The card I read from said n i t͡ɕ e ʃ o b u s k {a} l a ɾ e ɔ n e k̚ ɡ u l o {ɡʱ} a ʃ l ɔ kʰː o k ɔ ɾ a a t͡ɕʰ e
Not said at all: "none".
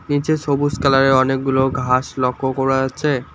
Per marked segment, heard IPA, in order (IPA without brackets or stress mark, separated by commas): a, ɡʱ